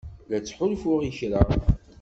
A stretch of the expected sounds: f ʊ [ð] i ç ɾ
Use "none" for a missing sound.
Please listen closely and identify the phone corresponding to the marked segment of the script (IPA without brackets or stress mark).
ʁ